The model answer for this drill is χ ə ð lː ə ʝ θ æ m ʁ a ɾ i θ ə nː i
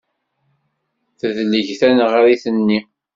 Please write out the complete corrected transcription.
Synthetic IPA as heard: θ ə ð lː ə ʝ θ æ n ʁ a ɾ i θ ə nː i